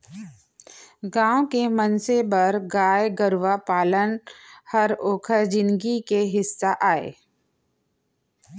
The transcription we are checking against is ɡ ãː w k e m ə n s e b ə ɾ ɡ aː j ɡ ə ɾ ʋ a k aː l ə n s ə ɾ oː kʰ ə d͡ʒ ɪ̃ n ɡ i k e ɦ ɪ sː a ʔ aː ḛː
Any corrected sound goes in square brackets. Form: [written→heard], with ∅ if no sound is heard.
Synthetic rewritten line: ɡ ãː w k e m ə n s e b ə ɾ ɡ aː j ɡ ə ɾ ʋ a [k→p] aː l ə n [s→h] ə ɾ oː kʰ ə d͡ʒ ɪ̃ n ɡ i k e ɦ ɪ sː a ʔ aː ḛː